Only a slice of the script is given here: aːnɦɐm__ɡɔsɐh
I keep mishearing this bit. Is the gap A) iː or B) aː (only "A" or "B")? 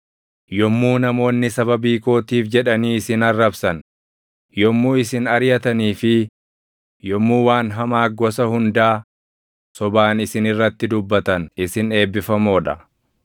B